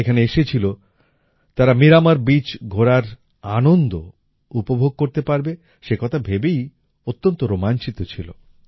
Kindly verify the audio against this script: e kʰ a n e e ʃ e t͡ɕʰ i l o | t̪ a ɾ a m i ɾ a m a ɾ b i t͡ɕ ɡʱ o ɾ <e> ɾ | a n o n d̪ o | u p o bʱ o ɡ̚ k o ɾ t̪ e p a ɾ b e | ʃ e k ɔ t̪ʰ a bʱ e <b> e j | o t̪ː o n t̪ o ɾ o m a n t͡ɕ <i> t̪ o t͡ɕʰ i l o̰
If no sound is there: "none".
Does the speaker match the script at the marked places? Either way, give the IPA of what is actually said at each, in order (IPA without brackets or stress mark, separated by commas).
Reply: a, b, i